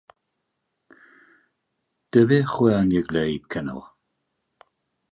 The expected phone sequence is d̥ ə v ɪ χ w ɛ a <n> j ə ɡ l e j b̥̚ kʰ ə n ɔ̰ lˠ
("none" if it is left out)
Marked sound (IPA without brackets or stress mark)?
n